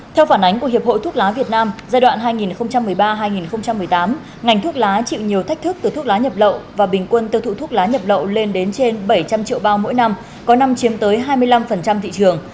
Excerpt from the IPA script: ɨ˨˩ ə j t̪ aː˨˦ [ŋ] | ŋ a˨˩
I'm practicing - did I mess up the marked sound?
yes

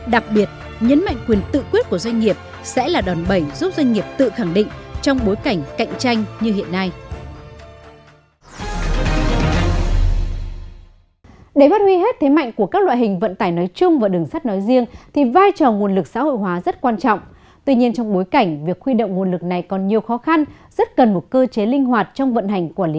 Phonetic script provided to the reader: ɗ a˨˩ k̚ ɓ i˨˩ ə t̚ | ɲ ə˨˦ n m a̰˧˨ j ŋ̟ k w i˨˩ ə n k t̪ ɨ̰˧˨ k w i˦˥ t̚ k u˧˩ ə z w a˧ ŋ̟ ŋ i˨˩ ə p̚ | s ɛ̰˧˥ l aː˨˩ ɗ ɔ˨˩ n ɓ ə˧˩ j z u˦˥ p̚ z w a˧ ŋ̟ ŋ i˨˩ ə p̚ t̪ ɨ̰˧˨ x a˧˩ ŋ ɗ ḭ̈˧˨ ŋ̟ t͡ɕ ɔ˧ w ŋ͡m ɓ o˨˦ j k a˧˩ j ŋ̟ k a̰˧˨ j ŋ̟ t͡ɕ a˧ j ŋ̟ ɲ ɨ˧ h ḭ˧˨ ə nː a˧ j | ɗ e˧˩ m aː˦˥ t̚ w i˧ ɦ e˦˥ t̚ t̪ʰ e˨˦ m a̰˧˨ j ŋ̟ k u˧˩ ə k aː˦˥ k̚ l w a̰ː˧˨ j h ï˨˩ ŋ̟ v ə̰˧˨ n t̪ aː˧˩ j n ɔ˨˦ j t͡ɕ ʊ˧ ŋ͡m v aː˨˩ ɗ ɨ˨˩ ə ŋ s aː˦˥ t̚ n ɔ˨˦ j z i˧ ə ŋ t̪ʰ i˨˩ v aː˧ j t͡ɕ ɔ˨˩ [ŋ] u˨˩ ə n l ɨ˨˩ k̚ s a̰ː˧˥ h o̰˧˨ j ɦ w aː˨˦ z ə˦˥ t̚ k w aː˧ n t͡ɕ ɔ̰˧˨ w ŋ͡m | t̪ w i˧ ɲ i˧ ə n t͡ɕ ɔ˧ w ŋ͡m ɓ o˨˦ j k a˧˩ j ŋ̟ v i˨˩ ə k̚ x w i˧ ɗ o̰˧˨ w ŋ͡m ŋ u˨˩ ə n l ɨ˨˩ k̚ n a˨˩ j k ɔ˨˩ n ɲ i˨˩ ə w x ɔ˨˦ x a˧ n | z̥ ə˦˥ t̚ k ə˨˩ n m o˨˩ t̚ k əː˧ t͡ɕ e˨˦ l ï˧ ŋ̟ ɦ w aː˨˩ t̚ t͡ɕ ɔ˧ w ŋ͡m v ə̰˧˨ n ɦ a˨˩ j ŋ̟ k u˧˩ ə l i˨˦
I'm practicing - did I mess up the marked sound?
no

